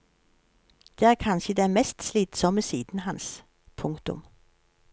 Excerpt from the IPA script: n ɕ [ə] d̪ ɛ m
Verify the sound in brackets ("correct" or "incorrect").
correct